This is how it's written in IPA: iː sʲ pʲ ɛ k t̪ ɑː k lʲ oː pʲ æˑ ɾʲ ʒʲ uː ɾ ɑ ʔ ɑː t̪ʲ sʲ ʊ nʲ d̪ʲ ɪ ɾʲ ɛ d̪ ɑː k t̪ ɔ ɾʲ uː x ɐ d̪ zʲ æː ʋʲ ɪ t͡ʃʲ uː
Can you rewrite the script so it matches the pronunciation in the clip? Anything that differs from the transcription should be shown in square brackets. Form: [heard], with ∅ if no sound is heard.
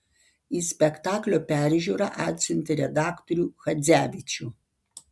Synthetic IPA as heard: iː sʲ pʲ ɛ k t̪ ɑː k lʲ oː pʲ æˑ ɾʲ ʒʲ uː ɾ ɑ ʔ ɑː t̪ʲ sʲ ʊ nʲ [t̪ʲ] ɪ ɾʲ ɛ d̪ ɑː k t̪ ɔ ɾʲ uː x ɐ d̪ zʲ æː ʋʲ ɪ t͡ʃʲ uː